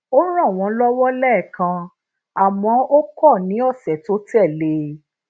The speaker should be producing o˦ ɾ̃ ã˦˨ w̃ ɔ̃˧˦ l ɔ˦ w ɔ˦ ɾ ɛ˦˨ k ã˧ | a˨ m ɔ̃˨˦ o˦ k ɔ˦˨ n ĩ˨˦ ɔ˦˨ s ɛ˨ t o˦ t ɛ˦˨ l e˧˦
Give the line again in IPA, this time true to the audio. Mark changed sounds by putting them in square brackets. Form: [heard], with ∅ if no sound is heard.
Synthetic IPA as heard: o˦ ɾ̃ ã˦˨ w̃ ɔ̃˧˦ l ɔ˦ w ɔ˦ [l] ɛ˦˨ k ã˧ | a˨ m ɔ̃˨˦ o˦ k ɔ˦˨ n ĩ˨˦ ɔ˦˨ s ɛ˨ t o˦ t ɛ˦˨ l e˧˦